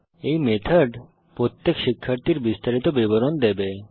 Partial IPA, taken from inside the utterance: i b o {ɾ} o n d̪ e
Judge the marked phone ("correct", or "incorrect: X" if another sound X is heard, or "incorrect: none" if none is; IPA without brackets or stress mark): correct